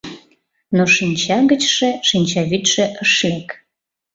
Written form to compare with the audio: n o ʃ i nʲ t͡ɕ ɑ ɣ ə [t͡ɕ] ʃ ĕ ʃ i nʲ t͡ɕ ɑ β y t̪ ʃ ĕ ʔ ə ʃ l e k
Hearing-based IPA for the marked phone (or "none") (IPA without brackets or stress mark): t͡ɕ